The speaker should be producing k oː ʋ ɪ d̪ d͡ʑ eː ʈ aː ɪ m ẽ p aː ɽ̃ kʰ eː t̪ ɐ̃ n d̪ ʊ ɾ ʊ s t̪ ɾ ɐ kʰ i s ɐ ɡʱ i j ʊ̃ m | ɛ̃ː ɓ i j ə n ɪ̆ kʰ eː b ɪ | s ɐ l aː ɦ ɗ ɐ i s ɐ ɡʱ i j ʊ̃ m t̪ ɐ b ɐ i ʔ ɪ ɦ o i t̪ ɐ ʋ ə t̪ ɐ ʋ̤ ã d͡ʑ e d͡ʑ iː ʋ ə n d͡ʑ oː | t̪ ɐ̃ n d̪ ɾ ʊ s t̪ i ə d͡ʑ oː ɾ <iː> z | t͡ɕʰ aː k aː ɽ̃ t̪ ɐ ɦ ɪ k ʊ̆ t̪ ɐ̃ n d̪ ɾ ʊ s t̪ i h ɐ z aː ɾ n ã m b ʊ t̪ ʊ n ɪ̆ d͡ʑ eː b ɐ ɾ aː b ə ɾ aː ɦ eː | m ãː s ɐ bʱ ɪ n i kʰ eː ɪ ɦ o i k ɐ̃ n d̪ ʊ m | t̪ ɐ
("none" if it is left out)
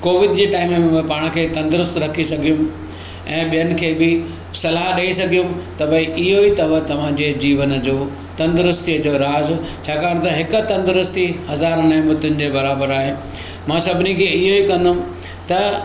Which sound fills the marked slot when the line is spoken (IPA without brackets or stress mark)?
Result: aː